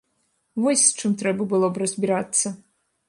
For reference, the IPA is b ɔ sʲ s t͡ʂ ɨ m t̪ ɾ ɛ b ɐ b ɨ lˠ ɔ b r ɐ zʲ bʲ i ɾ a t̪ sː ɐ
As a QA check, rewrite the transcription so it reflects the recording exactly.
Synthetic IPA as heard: v ɔ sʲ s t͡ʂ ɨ m t̪ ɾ ɛ b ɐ b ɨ lˠ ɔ b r ɐ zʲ bʲ i ɾ a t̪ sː ɐ